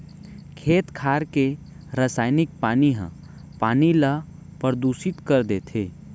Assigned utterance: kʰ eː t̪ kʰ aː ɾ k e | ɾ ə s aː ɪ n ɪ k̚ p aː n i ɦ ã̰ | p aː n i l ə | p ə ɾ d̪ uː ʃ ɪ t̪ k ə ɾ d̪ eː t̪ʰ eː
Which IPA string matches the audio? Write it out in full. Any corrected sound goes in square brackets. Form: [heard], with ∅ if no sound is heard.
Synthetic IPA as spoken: kʰ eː t̪ kʰ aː ɾ k e | ɾ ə s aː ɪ n ɪ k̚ p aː n i ɦ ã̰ | p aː n i l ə | p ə ɾ d̪ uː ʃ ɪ t̪ k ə ɾ d̪ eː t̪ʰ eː

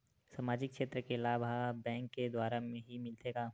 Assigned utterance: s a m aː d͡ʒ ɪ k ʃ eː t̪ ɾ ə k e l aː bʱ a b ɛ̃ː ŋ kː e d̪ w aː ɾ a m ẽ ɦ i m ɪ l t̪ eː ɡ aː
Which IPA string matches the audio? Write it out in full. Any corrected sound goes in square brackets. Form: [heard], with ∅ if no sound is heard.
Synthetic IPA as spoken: s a m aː d͡ʒ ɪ k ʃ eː t̪ ɾ ə k e l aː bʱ a b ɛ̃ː ŋ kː e d̪ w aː ɾ a m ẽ ɦ i m ɪ l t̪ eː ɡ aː

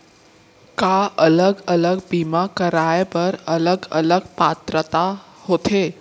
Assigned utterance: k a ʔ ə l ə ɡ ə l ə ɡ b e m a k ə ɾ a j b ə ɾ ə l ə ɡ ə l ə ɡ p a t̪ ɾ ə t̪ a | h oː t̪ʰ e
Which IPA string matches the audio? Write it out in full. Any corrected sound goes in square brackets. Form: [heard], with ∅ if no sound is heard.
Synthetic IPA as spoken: k a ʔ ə l ə ɡ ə l ə ɡ b [i] m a k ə ɾ a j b ə ɾ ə l ə ɡ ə l ə ɡ p a t̪ ɾ ə t̪ a | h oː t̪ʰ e

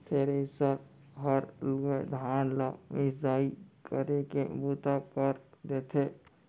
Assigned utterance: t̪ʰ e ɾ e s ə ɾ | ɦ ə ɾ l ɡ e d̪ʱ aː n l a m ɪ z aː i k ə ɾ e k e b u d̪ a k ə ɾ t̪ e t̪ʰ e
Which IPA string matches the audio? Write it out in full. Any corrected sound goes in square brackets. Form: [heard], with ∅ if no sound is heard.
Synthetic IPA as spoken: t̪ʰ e ɾ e s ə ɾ | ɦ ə ɾ l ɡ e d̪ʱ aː n l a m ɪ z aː i k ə ɾ e k e b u [t̪] a k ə ɾ [d̪] e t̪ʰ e

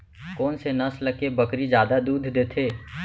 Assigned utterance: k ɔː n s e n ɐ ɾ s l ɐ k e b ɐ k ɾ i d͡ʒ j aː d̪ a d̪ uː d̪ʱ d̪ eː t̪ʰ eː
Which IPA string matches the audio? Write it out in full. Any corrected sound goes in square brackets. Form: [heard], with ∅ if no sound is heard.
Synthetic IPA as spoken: k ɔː n s e n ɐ [∅] s l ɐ k e b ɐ k ɾ i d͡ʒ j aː d̪ a d̪ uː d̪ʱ d̪ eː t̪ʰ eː

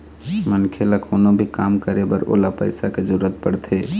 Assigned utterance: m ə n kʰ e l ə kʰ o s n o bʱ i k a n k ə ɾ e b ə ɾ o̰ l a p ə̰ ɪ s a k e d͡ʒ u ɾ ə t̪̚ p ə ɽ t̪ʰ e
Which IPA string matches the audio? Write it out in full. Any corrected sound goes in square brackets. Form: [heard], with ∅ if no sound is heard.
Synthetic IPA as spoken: m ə n kʰ e l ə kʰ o [∅] n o bʱ i k a [m] k ə ɾ e b ə ɾ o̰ l a p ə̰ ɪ s a k e d͡ʒ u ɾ ə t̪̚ p ə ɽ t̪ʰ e

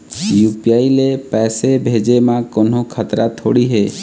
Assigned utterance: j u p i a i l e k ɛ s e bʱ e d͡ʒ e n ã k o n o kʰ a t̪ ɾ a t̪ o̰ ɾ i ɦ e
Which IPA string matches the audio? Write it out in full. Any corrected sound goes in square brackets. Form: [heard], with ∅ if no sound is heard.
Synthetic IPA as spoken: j u p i a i l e [p] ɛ s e bʱ e d͡ʒ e [m] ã k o n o kʰ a t̪ ɾ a [t̪ʰ] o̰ [ɽ] i ɦ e

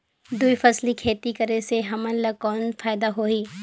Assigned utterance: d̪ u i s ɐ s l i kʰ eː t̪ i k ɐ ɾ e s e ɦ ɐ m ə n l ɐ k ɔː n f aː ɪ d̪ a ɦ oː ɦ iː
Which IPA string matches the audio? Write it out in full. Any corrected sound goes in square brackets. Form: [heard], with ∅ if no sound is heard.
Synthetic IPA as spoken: d̪ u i [f] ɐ s l i kʰ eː t̪ i k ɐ ɾ e s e ɦ ɐ m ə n l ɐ k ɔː n f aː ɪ d̪ a ɦ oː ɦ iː

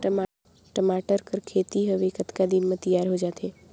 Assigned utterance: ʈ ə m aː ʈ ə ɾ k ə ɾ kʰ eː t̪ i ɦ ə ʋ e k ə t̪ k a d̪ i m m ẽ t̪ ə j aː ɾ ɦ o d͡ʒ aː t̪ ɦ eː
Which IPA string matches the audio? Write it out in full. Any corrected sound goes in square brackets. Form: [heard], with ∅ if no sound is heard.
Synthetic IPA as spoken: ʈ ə m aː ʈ ə ɾ k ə ɾ kʰ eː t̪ i ɦ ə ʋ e k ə t̪ k a d̪ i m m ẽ t̪ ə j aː ɾ ɦ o d͡ʒ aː t̪ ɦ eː

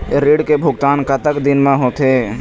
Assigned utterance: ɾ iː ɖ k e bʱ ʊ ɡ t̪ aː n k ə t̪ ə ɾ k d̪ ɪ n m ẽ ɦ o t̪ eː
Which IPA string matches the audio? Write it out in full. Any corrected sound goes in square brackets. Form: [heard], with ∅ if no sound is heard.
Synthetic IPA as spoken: ɾ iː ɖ k e bʱ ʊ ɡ t̪ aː n k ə t̪ ə [∅] k d̪ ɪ n m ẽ ɦ o t̪ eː

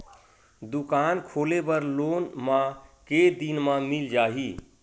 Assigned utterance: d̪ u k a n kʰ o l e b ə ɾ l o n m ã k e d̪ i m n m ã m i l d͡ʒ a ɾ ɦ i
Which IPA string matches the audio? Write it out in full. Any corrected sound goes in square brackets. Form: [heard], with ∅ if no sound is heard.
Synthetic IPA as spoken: d̪ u k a n kʰ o l e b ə ɾ l o n m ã k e d̪ i [∅] n m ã m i l d͡ʒ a [∅] ɦ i

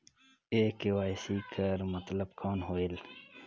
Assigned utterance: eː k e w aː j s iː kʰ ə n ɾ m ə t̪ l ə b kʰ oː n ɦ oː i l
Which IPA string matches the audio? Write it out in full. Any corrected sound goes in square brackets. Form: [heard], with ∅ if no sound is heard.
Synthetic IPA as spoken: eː k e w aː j s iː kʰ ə [∅] ɾ m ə t̪ l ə b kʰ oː n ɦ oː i l

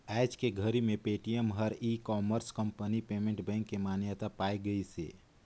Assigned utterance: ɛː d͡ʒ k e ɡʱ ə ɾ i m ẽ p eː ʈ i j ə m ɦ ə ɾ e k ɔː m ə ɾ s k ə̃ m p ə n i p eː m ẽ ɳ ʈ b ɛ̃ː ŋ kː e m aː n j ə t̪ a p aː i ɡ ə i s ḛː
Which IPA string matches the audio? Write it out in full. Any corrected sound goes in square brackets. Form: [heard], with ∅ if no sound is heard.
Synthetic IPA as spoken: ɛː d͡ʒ k e ɡʱ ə ɾ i m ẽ p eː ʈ i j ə m ɦ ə ɾ [i] k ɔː m ə ɾ s k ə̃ m p ə n i p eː m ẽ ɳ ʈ b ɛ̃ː ŋ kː e m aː n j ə t̪ a p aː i ɡ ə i s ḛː

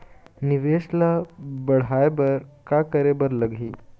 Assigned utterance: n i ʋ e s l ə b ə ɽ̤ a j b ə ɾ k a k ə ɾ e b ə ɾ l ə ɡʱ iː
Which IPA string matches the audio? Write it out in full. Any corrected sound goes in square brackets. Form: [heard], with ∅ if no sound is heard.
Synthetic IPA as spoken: n i ʋ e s l [a] b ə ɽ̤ a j b ə ɾ k a k ə ɾ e b ə ɾ l ə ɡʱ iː

